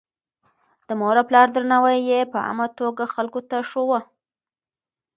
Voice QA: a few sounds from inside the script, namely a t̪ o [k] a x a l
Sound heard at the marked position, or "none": ɡ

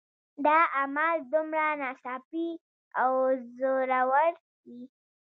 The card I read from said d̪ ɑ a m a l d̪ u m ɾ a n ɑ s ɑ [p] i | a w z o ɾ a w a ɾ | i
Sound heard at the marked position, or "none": p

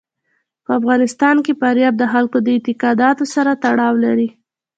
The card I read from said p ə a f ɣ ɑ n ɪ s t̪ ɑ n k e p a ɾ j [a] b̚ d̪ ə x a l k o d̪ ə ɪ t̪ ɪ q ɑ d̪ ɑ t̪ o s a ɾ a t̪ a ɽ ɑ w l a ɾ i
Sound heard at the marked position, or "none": ɑ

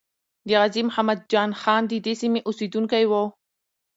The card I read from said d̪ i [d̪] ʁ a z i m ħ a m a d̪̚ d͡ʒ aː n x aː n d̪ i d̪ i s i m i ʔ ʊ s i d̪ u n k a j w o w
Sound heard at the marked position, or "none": none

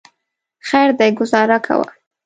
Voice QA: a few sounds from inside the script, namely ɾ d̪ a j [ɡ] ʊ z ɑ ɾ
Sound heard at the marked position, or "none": ɡ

